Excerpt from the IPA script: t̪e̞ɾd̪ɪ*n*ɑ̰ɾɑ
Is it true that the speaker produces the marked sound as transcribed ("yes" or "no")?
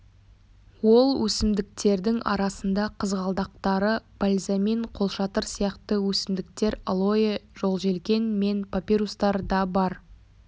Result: no